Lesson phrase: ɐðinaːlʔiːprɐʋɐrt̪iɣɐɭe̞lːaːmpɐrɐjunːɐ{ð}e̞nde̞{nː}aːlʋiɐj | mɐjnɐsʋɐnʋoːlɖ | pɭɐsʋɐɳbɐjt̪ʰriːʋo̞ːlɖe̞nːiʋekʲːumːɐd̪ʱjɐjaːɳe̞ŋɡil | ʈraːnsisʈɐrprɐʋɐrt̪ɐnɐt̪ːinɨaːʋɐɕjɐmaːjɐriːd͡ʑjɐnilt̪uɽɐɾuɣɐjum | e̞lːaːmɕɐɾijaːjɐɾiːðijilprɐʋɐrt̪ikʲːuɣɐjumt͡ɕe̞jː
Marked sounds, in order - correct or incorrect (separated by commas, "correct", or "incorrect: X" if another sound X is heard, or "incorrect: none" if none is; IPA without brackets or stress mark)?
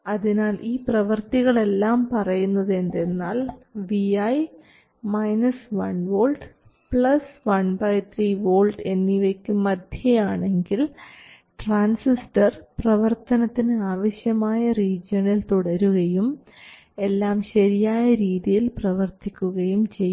correct, correct